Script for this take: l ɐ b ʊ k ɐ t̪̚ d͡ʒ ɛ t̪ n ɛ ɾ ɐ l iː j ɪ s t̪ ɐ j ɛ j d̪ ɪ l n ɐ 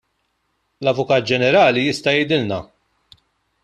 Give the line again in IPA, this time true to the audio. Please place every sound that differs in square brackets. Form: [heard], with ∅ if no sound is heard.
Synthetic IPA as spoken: l ɐ [v] ʊ k [ɐː] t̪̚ d͡ʒ ɛ [∅] n ɛ ɾ [ɐː] l [i] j ɪ s t̪ ɐ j ɛ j d̪ ɪ l n ɐ